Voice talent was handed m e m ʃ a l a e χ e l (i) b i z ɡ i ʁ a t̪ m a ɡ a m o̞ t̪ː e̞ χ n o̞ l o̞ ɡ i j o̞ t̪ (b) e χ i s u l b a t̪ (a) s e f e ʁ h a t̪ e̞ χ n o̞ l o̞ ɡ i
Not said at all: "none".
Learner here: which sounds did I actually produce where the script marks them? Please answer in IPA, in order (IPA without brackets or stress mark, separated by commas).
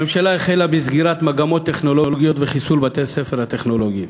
a, v, e